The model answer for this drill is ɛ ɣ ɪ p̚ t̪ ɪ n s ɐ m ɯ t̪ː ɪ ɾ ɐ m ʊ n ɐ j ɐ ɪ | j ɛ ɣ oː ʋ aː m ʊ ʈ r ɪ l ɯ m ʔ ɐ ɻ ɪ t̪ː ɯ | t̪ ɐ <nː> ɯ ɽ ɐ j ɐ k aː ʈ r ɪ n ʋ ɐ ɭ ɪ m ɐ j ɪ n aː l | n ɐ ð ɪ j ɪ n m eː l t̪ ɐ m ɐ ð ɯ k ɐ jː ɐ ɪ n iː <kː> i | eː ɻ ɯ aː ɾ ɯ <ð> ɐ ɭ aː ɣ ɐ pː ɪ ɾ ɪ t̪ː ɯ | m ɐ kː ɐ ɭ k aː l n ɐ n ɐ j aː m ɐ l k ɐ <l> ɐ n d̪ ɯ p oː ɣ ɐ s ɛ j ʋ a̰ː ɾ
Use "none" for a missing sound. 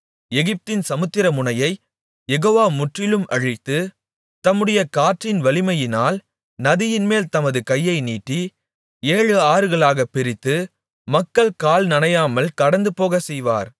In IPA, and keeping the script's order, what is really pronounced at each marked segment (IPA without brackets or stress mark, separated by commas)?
mː, ʈː, ɣ, ɽ